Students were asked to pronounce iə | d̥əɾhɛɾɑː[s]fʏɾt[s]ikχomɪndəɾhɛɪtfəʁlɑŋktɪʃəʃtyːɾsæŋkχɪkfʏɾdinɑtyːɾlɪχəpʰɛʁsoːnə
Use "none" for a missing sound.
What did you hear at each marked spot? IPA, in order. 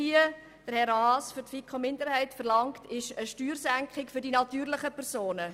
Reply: s, f

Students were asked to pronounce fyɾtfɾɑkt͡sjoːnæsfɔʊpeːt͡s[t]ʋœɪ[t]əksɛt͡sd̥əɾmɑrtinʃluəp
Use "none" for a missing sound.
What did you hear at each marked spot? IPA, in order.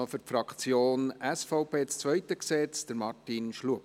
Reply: t͡s, t

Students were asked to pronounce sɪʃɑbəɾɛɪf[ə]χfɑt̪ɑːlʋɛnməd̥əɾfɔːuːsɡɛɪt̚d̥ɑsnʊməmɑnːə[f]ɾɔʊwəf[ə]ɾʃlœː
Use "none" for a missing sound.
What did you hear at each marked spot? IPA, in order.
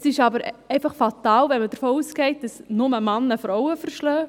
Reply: ɑ, f, ə

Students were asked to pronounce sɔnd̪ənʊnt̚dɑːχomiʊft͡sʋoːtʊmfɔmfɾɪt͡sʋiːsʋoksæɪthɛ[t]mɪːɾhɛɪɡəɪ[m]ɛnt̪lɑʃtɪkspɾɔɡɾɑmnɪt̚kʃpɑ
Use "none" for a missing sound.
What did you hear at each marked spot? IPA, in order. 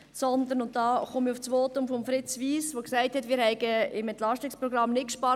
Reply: t, m

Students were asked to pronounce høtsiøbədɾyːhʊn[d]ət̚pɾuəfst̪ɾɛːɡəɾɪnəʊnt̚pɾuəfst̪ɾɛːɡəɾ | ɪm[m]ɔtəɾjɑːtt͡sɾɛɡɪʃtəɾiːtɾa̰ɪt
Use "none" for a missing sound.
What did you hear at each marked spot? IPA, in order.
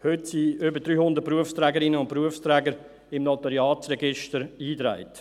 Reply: d, n

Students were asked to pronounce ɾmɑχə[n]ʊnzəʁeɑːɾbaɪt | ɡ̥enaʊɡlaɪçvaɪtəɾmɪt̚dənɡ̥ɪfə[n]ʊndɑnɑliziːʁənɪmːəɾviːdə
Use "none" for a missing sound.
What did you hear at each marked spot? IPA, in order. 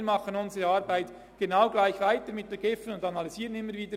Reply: n, n

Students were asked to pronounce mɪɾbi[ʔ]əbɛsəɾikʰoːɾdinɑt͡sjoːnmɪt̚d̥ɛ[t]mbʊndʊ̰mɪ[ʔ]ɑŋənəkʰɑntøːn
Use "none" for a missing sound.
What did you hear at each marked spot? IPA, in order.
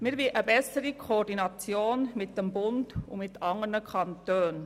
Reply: ʔ, none, t

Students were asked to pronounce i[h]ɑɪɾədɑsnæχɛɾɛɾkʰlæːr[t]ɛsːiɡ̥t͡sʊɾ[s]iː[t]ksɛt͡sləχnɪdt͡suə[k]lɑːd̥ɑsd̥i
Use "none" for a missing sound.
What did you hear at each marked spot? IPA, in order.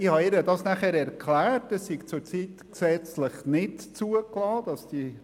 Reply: h, t, t͡s, t, k

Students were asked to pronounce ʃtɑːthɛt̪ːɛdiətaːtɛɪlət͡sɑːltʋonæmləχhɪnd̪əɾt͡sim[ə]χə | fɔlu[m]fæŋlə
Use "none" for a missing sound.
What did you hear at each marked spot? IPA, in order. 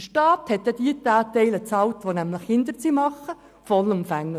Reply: ɑ, m

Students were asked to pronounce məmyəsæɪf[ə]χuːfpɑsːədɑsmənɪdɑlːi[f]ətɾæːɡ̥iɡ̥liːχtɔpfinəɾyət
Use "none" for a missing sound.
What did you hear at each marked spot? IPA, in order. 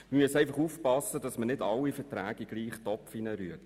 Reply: ɑ, f

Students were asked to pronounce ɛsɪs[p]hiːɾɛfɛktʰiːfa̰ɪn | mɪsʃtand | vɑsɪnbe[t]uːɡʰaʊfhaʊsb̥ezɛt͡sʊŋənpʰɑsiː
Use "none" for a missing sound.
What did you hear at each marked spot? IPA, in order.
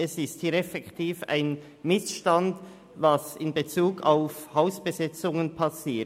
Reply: t, t͡s

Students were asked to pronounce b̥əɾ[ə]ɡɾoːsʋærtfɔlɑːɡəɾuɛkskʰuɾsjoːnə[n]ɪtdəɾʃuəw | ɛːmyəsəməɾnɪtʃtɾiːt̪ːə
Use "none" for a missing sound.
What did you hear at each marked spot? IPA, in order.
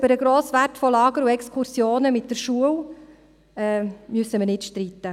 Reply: ə, m

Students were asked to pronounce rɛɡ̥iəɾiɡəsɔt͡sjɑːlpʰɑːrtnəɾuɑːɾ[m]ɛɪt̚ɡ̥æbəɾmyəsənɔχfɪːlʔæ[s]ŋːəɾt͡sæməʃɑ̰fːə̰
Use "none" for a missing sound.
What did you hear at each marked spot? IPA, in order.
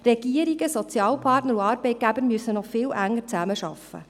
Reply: b, none

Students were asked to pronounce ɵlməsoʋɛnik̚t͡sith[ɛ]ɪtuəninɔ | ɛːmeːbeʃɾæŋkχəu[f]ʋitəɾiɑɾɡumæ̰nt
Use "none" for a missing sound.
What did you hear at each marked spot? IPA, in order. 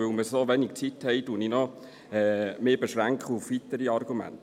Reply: ɛ, f

